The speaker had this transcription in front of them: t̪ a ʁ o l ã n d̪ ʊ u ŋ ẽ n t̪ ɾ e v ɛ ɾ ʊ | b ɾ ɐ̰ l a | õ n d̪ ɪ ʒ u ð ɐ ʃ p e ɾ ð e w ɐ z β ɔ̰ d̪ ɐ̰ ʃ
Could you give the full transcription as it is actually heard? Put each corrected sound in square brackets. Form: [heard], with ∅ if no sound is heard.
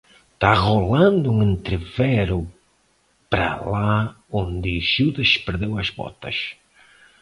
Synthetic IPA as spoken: t̪ a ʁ o l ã n d̪ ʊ u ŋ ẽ n t̪ ɾ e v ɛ ɾ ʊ | [p] ɾ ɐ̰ l a | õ n d̪ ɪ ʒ u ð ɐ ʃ p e ɾ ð e w ɐ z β ɔ̰ [t̪] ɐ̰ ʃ